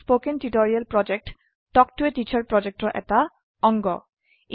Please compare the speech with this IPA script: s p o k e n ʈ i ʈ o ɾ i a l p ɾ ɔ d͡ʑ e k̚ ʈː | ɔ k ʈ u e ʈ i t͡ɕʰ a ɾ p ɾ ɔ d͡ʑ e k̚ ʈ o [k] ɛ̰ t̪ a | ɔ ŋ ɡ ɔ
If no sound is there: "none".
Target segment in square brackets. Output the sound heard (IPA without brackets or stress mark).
ʔ